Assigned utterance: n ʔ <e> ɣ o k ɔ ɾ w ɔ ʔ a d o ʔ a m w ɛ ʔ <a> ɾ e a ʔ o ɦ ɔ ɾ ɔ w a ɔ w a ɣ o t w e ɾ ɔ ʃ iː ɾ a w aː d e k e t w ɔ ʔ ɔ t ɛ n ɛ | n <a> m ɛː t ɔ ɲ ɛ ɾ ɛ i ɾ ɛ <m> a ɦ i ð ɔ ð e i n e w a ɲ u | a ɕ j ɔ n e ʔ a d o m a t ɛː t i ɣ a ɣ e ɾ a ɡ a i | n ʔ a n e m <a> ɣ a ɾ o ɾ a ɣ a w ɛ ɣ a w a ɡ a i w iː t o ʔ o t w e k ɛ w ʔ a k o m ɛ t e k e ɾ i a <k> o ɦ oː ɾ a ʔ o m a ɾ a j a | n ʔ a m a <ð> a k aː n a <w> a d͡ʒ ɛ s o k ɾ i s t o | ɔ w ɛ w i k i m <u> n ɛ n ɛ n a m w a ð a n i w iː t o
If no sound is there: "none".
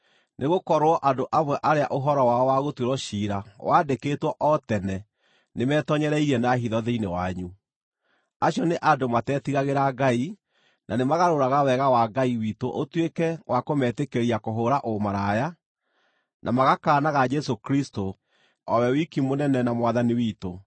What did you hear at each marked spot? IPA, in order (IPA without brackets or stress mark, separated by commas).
e, a, e, n, a, k, ɣ, ɣ, o